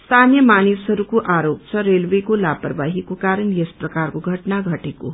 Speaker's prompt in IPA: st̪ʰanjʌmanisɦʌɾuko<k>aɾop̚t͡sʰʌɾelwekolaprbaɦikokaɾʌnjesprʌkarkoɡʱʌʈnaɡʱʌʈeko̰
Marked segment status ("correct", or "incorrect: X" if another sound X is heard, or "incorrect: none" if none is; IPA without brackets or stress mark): incorrect: ʔ